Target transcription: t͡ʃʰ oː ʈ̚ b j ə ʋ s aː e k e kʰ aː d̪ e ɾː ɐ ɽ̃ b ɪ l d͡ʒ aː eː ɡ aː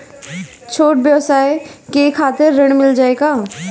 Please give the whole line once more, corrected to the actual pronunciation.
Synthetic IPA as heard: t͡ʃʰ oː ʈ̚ b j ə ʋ s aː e k e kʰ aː t̪ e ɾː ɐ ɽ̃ m ɪ l d͡ʒ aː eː ɡ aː